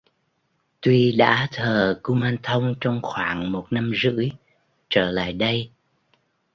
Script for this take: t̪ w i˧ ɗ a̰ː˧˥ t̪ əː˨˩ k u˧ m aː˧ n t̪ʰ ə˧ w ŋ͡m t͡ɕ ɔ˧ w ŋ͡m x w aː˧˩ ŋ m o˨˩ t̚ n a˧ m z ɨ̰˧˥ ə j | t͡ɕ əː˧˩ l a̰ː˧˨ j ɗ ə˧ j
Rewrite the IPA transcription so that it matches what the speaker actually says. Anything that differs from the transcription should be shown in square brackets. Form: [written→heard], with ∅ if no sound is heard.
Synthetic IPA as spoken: t̪ w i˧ ɗ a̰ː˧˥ [t̪→t̪ʰ] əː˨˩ k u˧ m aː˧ n t̪ʰ ə˧ w ŋ͡m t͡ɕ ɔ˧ w ŋ͡m x w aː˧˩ ŋ m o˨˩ t̚ n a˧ m z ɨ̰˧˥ ə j | t͡ɕ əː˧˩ l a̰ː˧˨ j ɗ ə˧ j